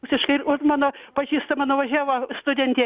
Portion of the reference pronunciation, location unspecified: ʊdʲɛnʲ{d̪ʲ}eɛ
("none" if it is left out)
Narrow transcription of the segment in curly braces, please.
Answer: t̪ʲ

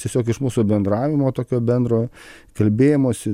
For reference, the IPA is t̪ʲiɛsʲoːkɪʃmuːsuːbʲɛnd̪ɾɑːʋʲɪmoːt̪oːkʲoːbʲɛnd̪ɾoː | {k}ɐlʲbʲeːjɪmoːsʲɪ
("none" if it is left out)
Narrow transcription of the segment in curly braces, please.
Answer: k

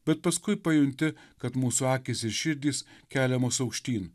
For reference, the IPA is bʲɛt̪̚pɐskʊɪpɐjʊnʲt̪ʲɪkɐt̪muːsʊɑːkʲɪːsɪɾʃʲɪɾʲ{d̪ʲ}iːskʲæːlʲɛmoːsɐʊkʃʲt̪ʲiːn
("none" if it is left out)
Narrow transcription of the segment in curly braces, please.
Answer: d̪ʲ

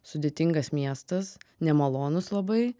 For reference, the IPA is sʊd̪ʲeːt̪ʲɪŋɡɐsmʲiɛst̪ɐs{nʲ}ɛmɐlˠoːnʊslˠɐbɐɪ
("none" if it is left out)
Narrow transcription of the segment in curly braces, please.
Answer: nʲ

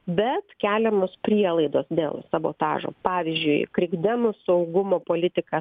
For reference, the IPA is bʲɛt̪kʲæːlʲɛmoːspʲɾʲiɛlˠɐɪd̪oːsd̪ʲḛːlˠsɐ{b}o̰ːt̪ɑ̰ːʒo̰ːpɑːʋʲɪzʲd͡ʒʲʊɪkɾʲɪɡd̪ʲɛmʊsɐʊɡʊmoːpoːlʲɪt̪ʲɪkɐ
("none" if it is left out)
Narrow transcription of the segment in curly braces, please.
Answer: b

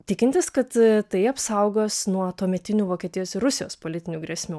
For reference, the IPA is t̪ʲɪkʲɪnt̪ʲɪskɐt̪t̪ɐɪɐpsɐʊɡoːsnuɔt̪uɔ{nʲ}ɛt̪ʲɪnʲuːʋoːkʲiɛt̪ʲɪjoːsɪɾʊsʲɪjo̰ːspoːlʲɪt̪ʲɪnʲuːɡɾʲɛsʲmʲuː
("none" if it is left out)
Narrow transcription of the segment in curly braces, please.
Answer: mʲ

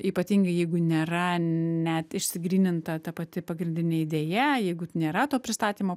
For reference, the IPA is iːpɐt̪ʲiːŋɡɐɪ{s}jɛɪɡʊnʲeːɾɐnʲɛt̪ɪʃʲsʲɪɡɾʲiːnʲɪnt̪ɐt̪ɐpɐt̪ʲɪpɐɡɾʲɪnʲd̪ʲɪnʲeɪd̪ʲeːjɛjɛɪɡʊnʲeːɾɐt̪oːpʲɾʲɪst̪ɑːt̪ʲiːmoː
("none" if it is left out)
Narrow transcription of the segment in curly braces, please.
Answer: none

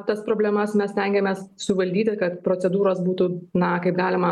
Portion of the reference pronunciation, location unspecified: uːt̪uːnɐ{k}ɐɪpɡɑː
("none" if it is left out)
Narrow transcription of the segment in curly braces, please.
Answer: k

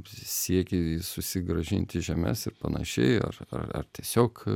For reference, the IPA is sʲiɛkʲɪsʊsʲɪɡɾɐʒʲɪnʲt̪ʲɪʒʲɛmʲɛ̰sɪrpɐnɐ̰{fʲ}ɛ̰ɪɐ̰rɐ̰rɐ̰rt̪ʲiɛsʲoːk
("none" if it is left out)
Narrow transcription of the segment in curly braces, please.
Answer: ʃʲ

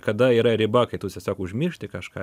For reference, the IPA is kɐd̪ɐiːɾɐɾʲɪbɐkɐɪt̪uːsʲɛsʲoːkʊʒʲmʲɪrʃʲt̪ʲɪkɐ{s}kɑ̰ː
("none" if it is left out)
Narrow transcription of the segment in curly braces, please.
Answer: ʃ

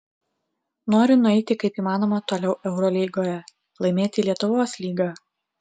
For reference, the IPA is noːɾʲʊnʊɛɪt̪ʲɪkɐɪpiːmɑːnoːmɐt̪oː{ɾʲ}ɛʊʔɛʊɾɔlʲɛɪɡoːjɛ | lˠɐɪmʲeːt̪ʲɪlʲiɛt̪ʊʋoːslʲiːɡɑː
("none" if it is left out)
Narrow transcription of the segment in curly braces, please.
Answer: lʲ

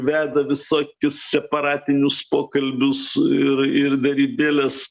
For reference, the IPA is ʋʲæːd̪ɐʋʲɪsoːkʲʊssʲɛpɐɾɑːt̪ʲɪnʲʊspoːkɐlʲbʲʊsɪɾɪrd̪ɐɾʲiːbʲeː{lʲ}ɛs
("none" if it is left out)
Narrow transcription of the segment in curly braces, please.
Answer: lʲ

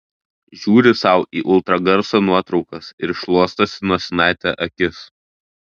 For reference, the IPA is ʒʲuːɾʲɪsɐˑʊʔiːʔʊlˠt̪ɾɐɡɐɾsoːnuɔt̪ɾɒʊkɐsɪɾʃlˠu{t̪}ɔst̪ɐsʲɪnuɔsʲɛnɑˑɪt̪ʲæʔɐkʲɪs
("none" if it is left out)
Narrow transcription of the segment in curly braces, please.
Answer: none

